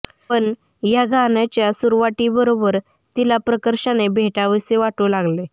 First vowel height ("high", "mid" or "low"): mid